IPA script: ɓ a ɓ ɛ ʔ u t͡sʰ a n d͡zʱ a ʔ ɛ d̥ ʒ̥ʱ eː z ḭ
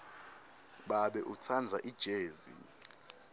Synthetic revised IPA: ɓ a ɓ ɛ ʔ u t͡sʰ a n d͡zʱ a ʔ i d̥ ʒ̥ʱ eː z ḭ